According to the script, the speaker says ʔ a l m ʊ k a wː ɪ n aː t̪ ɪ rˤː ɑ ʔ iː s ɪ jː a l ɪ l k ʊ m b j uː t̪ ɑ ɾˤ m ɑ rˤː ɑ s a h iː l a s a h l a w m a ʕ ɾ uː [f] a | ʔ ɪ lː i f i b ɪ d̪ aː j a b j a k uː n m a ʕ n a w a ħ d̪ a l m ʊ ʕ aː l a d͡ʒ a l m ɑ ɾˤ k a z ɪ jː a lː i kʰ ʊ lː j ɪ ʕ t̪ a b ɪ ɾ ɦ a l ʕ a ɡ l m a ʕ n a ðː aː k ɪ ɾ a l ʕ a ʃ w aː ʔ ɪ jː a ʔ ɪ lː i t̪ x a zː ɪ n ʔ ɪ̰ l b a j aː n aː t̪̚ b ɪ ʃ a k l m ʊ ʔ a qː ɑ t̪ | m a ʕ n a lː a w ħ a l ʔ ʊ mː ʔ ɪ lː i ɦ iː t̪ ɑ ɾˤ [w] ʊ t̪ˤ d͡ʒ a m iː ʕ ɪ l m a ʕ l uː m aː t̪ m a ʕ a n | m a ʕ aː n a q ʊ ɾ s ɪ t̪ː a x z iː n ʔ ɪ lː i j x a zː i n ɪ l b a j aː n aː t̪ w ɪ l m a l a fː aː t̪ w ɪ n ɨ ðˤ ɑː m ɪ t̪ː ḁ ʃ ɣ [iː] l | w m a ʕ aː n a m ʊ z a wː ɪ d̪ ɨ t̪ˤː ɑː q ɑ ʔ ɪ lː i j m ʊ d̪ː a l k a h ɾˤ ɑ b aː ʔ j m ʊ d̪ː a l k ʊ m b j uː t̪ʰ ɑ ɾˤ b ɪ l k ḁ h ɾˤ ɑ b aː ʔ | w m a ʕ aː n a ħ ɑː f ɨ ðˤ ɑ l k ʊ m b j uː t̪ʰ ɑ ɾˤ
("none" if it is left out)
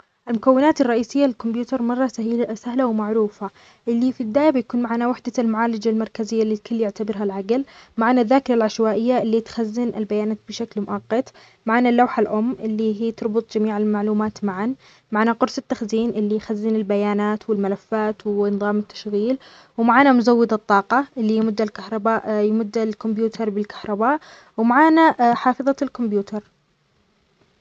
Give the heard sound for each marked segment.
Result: f, b, iː

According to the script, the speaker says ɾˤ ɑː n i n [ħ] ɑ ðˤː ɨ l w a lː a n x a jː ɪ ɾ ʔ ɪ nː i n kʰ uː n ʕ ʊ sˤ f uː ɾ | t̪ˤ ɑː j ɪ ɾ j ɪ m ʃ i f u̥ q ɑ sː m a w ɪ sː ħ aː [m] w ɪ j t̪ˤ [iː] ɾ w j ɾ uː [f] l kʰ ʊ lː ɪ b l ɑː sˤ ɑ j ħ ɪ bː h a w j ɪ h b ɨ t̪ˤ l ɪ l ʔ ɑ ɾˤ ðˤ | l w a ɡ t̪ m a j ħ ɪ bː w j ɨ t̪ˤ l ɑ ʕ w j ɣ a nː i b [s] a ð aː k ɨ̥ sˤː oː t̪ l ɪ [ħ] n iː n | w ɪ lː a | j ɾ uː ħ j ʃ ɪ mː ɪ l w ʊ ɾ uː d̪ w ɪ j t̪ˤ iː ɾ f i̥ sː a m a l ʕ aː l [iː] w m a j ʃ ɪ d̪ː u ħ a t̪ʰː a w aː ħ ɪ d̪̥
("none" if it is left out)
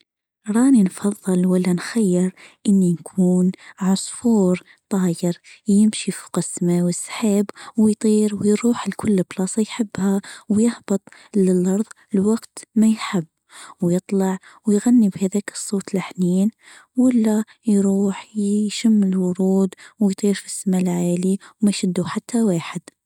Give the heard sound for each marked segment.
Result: f, b, iː, ħ, h, ħ, i

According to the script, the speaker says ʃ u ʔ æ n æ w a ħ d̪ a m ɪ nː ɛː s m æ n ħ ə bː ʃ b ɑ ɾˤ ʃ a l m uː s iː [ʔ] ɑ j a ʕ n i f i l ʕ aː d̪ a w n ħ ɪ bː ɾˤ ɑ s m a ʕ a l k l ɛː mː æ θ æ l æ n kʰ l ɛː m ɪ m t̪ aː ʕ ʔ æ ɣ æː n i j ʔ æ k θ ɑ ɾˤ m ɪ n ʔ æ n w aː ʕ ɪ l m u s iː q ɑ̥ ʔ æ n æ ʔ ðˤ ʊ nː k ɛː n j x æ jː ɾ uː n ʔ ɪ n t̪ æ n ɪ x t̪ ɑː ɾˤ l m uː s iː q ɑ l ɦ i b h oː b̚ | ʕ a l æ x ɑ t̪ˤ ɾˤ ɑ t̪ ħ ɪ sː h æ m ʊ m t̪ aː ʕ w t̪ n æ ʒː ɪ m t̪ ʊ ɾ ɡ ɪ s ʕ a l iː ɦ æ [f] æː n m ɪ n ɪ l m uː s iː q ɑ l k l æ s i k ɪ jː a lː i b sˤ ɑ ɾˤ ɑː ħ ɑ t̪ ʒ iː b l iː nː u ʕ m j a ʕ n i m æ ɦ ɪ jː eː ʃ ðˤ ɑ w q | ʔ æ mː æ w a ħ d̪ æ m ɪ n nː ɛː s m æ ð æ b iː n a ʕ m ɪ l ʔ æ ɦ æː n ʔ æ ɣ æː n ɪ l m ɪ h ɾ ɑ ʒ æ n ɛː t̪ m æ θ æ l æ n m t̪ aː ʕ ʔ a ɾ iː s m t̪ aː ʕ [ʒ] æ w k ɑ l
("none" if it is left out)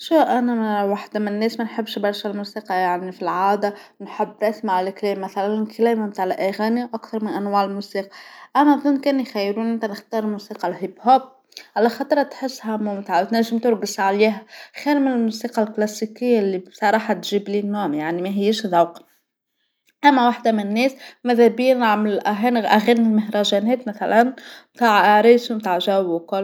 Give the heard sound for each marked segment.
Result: q, x, ʒ

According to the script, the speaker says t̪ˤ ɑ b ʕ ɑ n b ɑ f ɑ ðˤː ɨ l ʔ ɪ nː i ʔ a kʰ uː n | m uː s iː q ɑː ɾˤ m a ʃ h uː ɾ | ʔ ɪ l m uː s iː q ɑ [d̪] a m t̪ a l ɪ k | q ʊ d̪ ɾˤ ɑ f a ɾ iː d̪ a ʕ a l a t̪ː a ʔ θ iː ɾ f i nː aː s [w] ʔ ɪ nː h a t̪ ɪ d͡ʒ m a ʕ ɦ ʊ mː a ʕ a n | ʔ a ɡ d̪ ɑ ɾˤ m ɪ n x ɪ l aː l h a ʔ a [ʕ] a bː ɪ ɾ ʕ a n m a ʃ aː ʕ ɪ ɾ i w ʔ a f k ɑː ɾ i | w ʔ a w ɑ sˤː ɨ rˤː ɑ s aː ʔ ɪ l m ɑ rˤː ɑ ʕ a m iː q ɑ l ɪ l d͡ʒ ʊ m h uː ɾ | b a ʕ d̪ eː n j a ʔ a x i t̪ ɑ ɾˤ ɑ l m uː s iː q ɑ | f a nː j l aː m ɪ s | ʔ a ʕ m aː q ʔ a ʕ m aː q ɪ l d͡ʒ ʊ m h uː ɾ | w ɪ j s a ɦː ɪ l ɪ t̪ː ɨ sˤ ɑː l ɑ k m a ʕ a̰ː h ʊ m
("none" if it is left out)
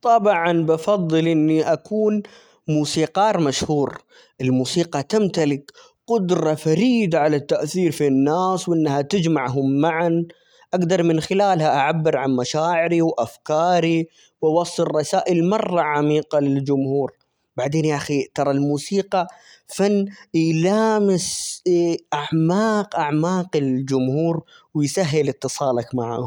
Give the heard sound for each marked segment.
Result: t̪, w, ʕ

